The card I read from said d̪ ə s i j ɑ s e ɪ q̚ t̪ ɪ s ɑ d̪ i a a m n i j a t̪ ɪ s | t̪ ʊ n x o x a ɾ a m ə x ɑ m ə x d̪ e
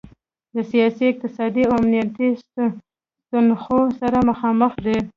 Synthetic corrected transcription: d̪ ə s i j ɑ s i ɪ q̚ t̪ ɪ s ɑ d̪ i a a m n i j a t̪ i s | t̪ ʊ n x o s a ɾ a m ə x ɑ m ə x d̪ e